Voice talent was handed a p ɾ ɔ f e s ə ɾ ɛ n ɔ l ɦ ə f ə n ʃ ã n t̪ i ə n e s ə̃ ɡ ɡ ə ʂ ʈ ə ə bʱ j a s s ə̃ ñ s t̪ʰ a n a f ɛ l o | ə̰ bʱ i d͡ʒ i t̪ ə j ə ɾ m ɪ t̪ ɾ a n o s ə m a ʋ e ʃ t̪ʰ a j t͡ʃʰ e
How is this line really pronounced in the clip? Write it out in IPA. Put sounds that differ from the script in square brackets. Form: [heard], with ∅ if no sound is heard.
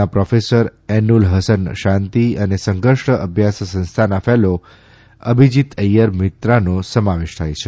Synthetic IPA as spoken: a p ɾ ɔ f e s ə ɾ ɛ n [u] l ɦ ə [s] ə n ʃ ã n t̪ i ə n e s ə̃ [ŋ] ɡ ə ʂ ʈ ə ə bʱ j a s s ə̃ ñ s t̪ʰ a n a f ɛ l o | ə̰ bʱ i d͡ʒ i t̪ ə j ə ɾ m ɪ t̪ ɾ a n o s ə m a ʋ e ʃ t̪ʰ a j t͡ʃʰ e